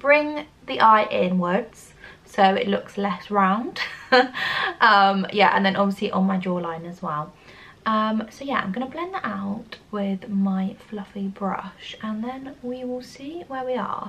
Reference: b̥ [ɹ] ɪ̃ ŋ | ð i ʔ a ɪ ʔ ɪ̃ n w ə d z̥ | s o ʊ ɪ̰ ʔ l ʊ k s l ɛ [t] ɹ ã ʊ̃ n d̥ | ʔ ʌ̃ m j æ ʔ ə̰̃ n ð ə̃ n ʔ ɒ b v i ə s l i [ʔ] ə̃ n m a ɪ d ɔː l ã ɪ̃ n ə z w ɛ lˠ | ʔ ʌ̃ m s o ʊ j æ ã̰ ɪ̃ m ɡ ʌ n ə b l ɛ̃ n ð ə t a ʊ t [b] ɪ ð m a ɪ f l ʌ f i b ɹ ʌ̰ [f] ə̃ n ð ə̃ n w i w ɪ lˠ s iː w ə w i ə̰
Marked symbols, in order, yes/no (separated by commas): yes, no, yes, no, no